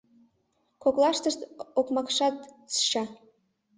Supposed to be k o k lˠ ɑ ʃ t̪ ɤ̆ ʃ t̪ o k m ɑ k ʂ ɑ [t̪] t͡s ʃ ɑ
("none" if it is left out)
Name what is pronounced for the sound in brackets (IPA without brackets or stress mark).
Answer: t̪